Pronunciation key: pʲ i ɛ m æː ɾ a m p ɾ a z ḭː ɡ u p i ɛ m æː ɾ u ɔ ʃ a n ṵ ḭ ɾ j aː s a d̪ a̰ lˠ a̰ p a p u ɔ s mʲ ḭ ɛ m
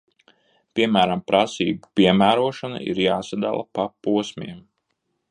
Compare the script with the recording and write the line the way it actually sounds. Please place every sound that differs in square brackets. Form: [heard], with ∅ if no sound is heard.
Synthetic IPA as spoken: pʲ i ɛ m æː ɾ a m p ɾ a [s] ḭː ɡ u p i ɛ m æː ɾ u ɔ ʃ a n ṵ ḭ ɾ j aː s a d̪ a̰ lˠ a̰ p a p u ɔ s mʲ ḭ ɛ m